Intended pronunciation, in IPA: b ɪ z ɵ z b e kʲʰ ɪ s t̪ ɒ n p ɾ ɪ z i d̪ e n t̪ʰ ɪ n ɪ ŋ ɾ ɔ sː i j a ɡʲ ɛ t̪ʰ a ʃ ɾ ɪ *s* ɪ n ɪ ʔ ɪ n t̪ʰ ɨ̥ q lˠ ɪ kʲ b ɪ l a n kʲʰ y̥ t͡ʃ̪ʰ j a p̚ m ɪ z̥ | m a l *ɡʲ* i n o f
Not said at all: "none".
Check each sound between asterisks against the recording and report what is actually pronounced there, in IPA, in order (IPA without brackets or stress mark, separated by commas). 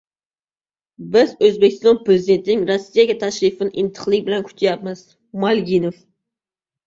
f, ɡʲ